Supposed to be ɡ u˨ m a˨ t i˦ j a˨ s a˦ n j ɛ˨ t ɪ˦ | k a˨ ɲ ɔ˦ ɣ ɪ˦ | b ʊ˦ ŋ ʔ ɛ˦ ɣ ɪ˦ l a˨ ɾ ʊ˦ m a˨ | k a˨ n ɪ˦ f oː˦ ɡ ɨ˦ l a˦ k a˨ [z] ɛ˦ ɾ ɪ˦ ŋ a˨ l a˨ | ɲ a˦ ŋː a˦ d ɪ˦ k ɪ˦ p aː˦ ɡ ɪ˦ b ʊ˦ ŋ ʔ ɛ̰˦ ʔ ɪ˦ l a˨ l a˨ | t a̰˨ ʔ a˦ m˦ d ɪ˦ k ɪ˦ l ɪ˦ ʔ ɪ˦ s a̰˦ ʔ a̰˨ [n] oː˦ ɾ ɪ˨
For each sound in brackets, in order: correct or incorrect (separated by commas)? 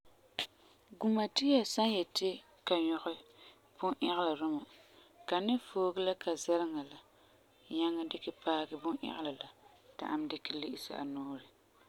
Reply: correct, correct